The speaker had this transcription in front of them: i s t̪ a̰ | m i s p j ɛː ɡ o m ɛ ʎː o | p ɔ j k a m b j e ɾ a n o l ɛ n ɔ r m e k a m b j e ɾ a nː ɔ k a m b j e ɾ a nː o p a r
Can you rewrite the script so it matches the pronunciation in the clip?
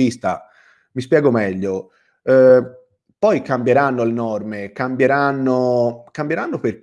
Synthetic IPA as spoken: i s t̪ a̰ | m i s p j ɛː ɡ o m ɛ ʎː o | p ɔ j k a m b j e ɾ a nː o l e n ɔ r m e k a m b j e ɾ a nː o k a m b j e ɾ a nː o p e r